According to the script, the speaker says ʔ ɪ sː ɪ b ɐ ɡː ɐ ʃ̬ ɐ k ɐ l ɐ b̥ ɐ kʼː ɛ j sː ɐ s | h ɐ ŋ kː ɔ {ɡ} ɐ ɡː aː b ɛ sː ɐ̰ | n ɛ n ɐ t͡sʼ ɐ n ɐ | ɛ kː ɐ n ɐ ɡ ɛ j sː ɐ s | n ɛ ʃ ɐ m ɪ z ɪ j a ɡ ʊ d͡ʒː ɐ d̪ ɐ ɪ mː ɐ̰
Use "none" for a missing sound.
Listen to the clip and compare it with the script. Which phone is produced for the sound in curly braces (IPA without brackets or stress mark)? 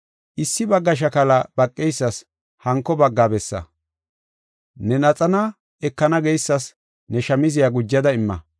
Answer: b